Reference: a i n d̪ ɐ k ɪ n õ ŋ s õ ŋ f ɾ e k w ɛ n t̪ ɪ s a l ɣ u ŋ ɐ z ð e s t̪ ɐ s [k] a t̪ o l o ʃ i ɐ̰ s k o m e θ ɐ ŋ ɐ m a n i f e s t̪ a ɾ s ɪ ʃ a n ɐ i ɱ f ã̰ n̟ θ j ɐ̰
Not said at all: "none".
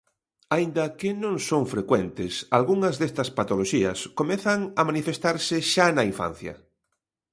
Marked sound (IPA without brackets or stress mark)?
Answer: p